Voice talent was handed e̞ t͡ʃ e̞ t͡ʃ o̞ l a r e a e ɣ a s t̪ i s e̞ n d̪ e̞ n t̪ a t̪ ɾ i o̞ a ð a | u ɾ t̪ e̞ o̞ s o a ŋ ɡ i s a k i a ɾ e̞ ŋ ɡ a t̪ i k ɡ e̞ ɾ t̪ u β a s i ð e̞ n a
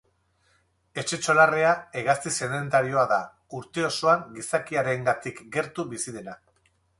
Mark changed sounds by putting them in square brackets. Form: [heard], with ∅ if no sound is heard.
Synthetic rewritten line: e̞ t͡ʃ e̞ t͡ʃ o̞ l a r e a e ɣ a s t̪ i s e̞ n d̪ e̞ n t̪ a [∅] ɾ i o̞ a ð a | u ɾ t̪ e̞ o̞ s o a ŋ ɡ i s a k i a ɾ e̞ ŋ ɡ a t̪ i k ɡ e̞ ɾ t̪ u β [i] s i ð e̞ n a